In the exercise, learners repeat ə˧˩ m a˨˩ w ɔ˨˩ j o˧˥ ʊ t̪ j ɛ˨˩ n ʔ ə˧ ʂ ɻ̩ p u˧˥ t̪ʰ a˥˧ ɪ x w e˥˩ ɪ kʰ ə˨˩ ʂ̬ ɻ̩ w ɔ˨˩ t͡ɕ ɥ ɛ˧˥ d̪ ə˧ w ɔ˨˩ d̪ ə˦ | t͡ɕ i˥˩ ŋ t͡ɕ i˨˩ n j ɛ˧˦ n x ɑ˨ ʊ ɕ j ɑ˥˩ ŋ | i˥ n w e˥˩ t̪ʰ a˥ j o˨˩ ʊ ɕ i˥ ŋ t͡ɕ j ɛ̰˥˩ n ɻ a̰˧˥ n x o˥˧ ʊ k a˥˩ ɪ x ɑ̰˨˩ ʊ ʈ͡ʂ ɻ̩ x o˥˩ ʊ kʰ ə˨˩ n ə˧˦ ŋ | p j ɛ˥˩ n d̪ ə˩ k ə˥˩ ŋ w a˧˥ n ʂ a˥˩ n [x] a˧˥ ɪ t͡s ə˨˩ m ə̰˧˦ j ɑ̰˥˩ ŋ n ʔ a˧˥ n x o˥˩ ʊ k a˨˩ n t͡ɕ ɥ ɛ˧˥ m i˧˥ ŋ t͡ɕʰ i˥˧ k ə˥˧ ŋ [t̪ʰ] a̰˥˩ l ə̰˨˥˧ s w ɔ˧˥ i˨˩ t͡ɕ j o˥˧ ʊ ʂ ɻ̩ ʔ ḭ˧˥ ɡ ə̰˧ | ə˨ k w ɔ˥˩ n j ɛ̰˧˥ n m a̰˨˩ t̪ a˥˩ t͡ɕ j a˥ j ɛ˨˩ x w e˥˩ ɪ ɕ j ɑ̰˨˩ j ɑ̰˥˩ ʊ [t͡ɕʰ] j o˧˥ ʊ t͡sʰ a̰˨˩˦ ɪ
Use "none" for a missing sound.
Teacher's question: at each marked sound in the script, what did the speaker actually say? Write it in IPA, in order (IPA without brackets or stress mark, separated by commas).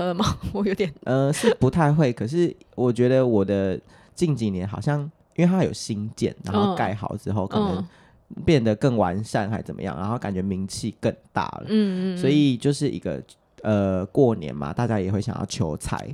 x, t̪, t͡ɕʰ